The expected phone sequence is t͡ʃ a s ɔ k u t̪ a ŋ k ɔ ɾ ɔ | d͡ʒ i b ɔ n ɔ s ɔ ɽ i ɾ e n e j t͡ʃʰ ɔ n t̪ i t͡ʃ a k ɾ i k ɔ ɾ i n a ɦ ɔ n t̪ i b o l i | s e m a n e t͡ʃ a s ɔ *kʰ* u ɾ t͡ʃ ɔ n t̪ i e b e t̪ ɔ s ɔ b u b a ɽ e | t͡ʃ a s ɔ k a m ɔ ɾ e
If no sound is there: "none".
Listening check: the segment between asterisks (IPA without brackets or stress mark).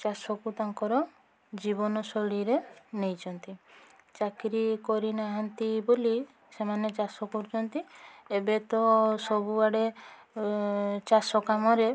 k